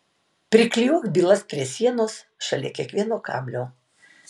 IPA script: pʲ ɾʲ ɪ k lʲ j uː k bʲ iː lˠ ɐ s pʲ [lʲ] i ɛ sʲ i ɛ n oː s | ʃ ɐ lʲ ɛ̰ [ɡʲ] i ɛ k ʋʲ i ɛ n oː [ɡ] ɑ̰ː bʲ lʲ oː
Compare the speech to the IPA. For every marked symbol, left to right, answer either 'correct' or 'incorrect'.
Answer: incorrect, incorrect, incorrect

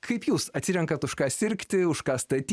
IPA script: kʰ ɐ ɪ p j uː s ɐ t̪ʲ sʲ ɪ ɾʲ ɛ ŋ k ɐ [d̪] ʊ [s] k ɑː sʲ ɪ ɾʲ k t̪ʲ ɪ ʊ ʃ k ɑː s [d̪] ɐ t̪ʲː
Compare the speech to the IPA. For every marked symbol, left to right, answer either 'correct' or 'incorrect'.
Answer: incorrect, incorrect, incorrect

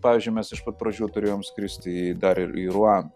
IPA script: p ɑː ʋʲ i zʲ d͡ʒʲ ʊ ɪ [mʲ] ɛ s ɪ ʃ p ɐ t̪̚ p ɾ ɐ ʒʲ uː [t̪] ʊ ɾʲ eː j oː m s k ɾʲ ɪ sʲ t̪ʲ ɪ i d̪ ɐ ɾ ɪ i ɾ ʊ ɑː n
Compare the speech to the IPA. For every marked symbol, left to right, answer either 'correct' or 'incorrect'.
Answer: correct, correct

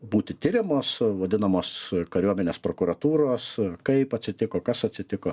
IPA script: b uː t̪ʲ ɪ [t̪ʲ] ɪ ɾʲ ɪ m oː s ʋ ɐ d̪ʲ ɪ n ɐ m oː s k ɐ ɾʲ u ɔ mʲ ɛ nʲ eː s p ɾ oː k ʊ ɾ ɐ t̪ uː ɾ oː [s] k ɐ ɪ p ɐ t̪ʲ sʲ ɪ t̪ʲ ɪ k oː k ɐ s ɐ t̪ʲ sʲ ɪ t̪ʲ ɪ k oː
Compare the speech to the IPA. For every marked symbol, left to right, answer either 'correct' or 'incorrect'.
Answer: correct, correct

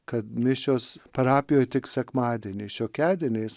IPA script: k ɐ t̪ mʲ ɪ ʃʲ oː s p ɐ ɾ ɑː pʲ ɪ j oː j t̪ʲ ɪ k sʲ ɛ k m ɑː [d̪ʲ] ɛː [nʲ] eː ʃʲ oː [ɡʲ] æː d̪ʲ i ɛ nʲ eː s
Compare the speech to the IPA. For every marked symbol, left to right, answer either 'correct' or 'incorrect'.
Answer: correct, correct, incorrect

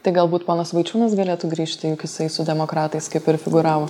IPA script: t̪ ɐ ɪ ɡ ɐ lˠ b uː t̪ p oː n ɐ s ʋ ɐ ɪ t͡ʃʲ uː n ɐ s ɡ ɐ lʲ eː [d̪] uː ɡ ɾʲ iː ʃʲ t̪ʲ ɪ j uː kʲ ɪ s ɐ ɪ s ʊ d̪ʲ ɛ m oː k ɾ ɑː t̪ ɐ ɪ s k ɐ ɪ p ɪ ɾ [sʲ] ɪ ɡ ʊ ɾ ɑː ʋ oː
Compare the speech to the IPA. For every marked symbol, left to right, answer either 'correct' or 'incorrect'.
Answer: incorrect, incorrect

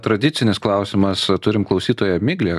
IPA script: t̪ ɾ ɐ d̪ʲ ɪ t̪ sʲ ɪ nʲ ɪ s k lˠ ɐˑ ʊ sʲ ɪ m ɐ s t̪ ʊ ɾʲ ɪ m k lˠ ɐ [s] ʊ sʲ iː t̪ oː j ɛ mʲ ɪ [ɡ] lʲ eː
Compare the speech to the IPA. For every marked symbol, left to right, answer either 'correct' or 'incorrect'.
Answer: incorrect, correct

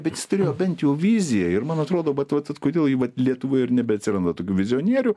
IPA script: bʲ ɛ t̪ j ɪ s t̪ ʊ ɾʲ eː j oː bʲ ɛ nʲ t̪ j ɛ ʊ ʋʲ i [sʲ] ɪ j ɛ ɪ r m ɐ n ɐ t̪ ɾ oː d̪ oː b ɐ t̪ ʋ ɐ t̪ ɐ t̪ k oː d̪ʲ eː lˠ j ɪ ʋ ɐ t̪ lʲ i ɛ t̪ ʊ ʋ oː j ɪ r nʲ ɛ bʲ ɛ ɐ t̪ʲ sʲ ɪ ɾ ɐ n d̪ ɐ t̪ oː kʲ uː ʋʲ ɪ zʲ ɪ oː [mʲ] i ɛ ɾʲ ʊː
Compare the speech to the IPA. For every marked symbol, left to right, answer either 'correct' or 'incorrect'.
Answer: incorrect, incorrect

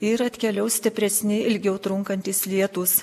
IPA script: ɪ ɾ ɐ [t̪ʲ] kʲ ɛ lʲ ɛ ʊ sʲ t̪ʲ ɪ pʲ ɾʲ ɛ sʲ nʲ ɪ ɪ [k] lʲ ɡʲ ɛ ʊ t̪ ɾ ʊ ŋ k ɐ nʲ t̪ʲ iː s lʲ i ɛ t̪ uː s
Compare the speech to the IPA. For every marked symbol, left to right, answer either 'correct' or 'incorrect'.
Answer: correct, incorrect

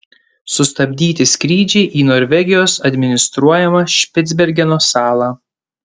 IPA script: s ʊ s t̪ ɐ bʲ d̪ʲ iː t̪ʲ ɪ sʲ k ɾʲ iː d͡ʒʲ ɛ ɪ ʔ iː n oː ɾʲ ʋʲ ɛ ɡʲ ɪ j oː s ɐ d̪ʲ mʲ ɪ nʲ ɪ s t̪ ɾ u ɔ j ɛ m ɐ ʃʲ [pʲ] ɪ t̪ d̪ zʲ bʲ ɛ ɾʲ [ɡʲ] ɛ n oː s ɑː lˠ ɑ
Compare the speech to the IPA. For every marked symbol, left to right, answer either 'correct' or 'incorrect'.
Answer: correct, correct

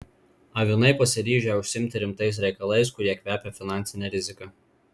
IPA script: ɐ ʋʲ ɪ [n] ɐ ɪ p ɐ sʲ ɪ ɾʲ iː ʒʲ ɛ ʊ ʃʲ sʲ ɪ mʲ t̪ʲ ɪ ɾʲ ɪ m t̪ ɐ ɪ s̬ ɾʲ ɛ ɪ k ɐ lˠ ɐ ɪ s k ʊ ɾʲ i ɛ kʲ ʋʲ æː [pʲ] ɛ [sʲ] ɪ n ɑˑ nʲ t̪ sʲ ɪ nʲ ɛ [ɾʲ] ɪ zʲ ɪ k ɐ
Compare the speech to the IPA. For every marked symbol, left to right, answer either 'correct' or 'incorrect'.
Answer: correct, correct, incorrect, correct

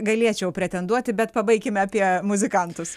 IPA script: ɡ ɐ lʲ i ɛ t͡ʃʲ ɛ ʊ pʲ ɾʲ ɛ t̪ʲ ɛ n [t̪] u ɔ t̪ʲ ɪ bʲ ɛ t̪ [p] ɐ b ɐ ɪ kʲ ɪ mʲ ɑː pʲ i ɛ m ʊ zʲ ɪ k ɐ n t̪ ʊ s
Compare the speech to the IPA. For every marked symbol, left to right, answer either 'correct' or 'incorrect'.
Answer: incorrect, correct

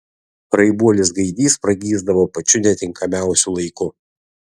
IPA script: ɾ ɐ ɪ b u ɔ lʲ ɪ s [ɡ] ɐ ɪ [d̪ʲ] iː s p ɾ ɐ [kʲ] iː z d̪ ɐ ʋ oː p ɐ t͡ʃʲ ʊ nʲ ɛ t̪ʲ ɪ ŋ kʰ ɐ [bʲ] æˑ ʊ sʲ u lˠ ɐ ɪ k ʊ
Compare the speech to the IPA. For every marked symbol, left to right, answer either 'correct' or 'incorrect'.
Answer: correct, correct, incorrect, incorrect

